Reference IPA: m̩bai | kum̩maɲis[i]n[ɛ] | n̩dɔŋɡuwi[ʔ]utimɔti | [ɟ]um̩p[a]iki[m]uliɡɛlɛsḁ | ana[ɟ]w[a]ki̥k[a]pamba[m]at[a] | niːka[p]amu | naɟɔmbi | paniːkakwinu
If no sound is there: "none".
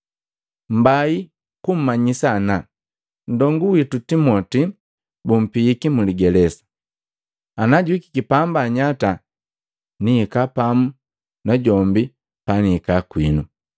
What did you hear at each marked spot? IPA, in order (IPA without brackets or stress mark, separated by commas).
a, a, t, b, i, m, ɟ, i, i, ɲ, a, p